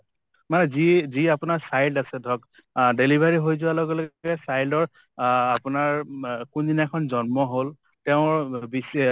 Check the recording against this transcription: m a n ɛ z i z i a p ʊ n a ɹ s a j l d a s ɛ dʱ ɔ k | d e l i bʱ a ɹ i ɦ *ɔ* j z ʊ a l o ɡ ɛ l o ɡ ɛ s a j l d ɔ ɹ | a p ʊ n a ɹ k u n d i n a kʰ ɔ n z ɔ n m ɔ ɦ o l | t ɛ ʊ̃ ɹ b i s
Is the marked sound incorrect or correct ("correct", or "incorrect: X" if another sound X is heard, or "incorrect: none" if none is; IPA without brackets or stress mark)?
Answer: incorrect: o